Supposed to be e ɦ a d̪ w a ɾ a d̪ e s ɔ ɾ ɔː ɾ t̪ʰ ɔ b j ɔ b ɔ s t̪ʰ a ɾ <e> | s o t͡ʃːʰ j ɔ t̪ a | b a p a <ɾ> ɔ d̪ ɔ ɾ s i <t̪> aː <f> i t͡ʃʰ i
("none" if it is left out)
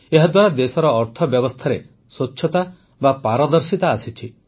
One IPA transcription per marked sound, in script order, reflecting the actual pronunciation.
e, ɾ, t̪, s

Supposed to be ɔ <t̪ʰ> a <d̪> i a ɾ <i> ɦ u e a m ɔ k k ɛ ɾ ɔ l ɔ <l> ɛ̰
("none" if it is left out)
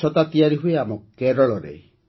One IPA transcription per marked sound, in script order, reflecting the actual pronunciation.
t̪, t̪, i, ɾ

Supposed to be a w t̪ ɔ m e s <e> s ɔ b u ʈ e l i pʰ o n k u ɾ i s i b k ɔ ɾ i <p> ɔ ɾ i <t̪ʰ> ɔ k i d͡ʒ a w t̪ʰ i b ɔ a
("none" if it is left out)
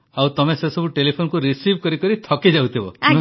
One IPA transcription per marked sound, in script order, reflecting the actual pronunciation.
e, k, t̪ʰ

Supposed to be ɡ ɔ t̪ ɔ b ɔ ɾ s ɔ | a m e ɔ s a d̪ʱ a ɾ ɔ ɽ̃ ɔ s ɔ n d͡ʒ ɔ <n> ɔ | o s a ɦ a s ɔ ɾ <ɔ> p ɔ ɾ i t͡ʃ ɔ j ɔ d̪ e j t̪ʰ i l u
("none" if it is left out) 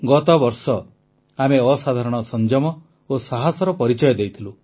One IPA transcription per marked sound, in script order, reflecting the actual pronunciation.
m, ɔ

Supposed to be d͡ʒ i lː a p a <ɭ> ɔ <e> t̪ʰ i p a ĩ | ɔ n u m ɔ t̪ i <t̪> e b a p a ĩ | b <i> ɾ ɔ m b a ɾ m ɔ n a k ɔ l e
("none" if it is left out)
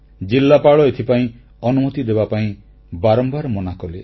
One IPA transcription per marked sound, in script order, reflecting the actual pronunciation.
ɭ, e, d̪, a

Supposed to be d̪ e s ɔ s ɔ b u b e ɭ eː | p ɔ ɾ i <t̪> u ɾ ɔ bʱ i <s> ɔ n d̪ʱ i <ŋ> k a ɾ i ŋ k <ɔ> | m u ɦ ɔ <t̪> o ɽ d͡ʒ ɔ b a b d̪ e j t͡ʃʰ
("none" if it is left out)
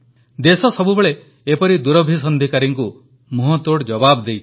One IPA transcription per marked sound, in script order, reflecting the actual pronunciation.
d̪, s, none, u, t̪

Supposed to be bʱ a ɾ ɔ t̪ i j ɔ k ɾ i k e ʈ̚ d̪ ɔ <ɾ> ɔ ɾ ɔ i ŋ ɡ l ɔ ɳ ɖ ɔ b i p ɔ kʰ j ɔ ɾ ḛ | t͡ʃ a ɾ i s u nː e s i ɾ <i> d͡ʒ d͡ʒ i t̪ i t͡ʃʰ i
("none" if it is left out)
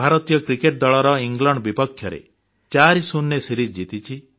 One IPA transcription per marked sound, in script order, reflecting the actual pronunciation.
ɭ, i

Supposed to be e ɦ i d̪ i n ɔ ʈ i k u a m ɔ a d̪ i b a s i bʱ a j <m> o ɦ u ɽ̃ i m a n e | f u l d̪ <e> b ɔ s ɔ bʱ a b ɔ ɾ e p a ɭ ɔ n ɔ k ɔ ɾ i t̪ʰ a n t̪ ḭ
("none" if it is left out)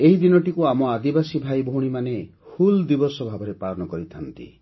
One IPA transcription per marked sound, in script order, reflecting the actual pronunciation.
b, i

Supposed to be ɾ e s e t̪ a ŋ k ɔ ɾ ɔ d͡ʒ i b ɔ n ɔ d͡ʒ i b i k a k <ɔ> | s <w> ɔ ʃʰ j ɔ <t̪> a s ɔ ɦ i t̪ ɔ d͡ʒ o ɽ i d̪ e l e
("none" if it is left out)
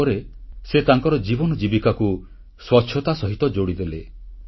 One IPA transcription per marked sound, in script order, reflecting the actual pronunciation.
u, w, t̪

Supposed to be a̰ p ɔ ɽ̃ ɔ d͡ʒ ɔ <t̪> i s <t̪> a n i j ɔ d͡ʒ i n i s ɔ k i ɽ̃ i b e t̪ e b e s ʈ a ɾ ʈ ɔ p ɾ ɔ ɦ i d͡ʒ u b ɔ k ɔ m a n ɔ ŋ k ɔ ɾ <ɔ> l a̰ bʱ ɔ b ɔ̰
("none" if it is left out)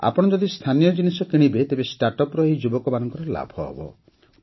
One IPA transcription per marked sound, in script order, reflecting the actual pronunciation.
d̪, t̪ʰ, ɔ

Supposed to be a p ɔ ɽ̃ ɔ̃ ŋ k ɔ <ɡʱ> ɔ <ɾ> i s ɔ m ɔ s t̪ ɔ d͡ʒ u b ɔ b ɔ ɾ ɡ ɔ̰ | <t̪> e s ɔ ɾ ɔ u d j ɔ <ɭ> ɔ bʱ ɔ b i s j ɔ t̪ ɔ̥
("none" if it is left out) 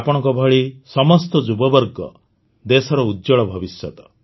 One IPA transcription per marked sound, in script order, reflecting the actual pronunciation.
bʱ, ɭ, d̪, ɭ

